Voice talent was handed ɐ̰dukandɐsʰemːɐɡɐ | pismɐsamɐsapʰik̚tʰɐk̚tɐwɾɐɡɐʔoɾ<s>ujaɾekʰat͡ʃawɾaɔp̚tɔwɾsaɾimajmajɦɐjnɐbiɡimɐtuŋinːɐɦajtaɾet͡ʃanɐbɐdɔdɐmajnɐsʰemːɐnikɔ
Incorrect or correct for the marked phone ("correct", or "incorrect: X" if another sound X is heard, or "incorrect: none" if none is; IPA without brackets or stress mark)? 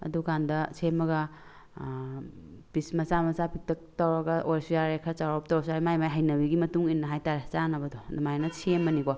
correct